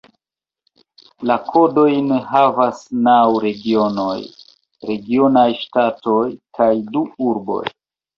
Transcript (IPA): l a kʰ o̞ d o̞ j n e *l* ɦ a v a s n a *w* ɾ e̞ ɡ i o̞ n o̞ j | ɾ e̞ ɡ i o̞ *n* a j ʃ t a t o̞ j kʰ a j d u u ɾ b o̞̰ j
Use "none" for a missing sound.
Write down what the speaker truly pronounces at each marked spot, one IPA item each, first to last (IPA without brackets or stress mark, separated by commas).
none, w, n